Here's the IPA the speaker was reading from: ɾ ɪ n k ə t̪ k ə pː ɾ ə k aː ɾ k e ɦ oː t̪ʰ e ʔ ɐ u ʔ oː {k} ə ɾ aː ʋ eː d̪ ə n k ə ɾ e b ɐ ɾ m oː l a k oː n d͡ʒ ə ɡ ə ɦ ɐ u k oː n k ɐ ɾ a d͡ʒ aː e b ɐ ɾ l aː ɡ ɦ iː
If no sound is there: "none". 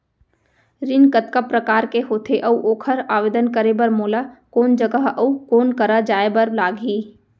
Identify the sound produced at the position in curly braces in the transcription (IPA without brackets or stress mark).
kʰ